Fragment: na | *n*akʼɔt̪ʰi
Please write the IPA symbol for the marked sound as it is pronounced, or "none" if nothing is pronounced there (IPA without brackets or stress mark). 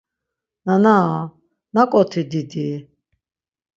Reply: n